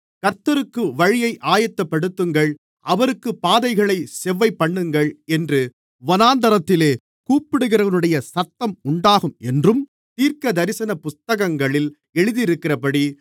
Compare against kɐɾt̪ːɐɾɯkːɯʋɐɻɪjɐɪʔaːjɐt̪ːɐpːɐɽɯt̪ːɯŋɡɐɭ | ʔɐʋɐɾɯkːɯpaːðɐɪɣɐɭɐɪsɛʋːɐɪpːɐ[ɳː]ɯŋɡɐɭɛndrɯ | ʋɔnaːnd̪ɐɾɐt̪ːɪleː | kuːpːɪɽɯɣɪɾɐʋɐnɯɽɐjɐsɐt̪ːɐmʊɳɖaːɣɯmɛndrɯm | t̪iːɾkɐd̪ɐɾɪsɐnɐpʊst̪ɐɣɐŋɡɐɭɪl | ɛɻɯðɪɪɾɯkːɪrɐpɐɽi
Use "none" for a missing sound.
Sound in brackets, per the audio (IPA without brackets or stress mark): ɳː